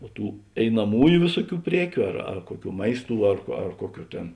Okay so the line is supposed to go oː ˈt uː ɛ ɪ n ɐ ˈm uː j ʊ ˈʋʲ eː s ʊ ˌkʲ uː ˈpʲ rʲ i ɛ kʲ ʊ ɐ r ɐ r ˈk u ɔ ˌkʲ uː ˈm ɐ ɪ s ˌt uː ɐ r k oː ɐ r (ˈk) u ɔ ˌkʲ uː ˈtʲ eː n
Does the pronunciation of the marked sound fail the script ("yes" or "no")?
no